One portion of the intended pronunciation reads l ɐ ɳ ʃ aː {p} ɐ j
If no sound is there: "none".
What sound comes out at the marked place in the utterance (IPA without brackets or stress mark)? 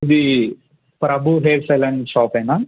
p